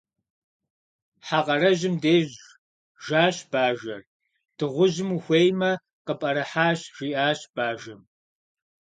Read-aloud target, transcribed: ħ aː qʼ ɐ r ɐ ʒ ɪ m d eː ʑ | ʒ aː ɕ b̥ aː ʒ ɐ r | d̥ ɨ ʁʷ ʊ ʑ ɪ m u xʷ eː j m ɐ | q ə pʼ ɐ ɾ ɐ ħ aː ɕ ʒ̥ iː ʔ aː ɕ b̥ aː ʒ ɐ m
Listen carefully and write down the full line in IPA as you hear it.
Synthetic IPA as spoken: ħ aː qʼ ɐ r ɐ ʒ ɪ m d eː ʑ | ʒ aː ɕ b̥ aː ʒ ɐ r | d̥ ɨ ʁʷ ʊ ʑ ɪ m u xʷ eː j m ɐ | q ə pʼ ɐ ɾ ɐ ħ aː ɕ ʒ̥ iː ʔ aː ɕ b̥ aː ʒ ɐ m